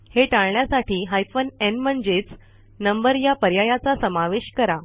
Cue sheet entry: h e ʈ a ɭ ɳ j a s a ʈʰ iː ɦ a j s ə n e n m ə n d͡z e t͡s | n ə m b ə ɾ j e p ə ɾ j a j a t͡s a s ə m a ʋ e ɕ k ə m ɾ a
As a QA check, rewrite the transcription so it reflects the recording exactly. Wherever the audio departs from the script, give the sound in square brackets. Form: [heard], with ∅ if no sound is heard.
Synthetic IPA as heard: h e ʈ a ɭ ɳ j a s a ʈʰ iː ɦ a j [f] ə n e n m ə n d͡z e t͡s | n ə m b ə ɾ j [a] p ə ɾ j a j a t͡s a s ə m a ʋ e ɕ k ə [∅] ɾ a